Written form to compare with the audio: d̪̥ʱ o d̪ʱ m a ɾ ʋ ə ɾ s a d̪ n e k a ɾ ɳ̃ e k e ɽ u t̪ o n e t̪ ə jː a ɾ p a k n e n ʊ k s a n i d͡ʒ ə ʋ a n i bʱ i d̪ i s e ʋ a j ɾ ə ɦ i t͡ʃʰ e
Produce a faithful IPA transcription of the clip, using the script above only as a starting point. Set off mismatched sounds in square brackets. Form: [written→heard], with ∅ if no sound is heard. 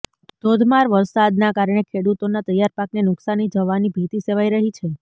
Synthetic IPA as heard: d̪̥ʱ o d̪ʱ m a ɾ ʋ ə ɾ s a d̪ n [e→a] k a ɾ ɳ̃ e [k→kʰ] e ɽ u t̪ o n [e→a] t̪ ə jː a ɾ p a k n e n ʊ k s a n i d͡ʒ ə ʋ a n i bʱ i [d̪→t̪] i s e ʋ a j ɾ ə ɦ i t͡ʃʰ e